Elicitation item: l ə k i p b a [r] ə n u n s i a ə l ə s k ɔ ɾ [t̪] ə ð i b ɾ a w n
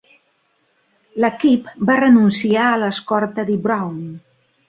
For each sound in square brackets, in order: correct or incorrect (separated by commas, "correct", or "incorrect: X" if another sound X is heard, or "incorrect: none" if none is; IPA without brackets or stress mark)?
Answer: correct, correct